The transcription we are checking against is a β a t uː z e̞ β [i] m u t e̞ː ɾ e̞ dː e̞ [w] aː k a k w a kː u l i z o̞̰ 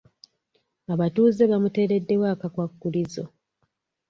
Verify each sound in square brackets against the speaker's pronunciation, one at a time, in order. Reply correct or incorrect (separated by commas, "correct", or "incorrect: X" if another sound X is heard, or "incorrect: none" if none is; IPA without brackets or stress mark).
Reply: incorrect: a, correct